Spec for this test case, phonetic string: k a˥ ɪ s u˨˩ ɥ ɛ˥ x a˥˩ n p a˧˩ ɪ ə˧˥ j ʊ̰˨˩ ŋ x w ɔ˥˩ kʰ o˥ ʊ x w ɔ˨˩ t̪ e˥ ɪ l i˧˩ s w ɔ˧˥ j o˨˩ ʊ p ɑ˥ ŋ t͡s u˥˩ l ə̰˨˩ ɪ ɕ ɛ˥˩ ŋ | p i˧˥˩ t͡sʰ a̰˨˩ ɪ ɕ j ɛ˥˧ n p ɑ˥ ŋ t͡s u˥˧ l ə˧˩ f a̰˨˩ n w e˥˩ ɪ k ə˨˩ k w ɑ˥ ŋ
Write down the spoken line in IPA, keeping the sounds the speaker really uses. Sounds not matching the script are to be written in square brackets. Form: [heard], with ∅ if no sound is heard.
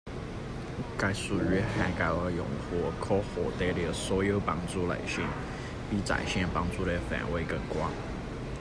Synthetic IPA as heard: k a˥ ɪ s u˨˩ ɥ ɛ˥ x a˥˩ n [k] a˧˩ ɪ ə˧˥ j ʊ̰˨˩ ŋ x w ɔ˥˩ kʰ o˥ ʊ x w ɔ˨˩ t̪ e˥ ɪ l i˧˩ s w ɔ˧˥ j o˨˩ ʊ p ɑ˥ ŋ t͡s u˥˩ l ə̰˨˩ ɪ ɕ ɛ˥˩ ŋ | p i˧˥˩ [t͡s] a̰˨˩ ɪ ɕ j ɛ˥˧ n p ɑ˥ ŋ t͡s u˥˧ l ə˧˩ f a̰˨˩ n w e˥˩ ɪ k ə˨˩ k w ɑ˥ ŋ